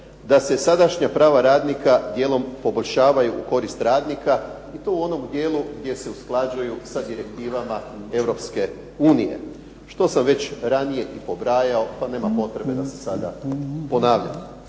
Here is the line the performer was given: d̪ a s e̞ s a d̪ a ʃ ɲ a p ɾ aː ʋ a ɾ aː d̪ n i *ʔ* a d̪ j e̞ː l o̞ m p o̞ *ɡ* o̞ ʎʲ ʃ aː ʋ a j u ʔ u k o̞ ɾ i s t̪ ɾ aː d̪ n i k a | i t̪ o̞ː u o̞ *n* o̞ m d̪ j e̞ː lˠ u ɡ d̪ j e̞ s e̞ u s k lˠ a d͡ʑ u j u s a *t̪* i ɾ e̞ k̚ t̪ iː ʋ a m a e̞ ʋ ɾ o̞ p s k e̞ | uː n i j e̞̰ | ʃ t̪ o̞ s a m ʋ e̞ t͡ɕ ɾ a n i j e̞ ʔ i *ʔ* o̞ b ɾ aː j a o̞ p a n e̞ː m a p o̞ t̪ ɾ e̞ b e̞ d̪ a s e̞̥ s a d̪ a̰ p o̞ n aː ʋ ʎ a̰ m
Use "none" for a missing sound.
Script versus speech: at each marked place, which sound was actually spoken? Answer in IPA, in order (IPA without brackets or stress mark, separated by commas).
k, b, n, d̪, p